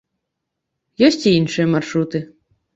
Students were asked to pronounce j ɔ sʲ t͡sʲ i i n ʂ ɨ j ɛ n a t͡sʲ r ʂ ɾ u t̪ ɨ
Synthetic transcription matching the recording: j ɔ sʲ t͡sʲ i i n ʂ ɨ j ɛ m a r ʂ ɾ u t̪ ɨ